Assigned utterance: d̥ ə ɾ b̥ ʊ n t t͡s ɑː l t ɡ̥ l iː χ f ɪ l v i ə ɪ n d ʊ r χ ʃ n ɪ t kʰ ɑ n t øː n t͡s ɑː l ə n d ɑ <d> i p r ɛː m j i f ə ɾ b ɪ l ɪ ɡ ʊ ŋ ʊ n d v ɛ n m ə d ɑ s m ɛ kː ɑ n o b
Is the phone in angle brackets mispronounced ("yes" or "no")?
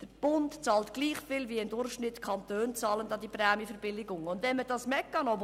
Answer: no